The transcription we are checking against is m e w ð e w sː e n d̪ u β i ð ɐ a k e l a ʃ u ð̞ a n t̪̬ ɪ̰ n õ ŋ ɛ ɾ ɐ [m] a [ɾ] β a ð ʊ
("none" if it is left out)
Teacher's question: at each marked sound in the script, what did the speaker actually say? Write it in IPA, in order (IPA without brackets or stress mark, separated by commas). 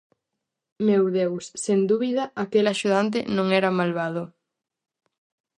m, l